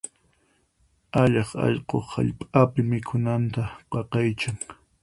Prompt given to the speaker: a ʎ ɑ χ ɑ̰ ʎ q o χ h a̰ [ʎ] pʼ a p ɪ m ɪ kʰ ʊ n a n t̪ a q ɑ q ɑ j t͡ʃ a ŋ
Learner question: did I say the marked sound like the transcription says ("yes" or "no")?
yes